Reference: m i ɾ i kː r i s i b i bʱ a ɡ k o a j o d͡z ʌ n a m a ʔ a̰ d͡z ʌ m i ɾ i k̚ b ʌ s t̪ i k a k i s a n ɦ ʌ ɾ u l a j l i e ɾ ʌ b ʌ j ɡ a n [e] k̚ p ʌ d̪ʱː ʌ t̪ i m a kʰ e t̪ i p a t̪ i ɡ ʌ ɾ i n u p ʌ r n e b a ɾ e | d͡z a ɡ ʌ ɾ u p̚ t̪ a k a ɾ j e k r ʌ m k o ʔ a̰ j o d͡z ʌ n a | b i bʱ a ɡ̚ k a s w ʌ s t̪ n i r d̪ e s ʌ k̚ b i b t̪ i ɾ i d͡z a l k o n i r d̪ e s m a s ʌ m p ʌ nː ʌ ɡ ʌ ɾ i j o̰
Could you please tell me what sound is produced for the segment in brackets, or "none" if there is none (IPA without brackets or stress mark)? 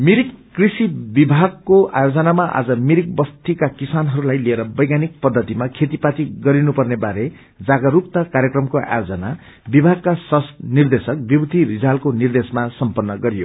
i